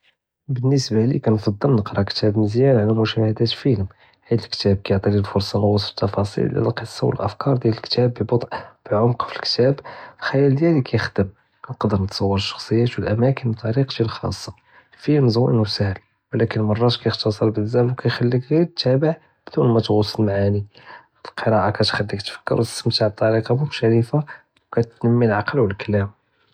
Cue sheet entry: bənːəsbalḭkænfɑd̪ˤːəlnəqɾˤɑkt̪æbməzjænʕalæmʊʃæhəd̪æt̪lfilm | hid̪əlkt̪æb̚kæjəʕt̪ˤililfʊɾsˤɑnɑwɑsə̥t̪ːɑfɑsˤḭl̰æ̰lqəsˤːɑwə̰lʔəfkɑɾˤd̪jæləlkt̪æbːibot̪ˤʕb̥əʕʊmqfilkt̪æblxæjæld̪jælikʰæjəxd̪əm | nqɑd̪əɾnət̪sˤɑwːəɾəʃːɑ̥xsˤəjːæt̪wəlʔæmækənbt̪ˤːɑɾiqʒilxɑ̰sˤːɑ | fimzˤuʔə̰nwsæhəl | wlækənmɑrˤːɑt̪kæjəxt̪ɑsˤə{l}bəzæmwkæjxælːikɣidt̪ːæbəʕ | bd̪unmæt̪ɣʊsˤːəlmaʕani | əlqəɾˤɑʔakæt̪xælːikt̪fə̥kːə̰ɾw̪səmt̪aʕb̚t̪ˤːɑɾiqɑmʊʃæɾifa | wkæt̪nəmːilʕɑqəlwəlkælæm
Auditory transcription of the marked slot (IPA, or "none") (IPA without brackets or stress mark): ɾ